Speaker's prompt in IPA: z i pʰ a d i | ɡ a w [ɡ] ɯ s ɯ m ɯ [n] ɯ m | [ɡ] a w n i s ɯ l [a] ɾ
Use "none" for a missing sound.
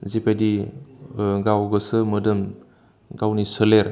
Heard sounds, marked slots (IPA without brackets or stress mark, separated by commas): ɡ, d, ɡ, e